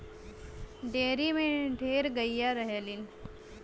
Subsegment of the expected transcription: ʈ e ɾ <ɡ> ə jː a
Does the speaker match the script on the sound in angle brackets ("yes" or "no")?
yes